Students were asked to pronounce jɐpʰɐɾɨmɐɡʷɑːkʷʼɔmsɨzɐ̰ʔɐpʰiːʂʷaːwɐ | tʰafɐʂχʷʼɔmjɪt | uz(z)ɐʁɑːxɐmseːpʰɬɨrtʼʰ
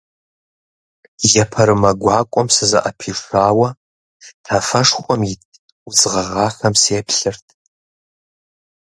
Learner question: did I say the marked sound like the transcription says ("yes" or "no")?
no